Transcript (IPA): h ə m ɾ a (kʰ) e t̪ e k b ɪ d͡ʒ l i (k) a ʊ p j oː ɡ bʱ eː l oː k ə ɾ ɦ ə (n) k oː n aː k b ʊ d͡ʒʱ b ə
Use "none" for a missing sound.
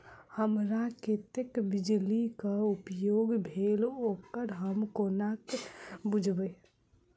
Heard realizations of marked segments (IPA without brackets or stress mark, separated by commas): k, k, m